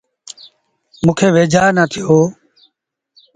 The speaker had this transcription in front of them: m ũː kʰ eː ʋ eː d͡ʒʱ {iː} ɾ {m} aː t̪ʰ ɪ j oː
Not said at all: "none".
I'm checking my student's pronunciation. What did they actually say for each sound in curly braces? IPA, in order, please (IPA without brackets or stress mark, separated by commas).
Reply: aː, n